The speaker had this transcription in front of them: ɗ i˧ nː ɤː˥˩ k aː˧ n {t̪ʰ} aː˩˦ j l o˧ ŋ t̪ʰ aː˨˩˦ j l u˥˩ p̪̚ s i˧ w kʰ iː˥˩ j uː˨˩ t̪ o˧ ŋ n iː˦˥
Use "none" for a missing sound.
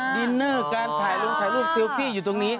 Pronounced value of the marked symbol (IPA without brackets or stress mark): t̪ʰ